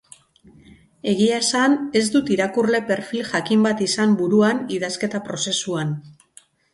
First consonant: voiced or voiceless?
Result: voiced